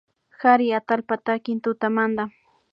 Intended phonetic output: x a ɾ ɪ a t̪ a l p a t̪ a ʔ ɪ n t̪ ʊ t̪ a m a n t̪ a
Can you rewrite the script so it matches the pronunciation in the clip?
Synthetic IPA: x a ɾ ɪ a t̪ a l p a t̪ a k ɪ n t̪ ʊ t̪ a m a n d̪ a